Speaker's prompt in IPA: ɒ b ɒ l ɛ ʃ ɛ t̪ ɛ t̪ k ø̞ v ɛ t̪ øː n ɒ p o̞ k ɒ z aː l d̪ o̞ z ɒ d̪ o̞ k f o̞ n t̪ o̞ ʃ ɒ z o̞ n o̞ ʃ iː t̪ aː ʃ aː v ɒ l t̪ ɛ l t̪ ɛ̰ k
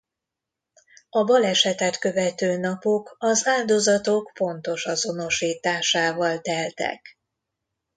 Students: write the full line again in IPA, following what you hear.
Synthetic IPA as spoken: ɒ b ɒ l ɛ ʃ ɛ t̪ ɛ t̪ k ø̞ v ɛ t̪ øː n ɒ p o̞ k ɒ z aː l d̪ o̞ z ɒ t̪ o̞ k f o̞ n t̪ o̞ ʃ ɒ z o̞ n o̞ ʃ iː t̪ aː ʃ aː v ɒ l t̪ ɛ l t̪ ɛ̰ k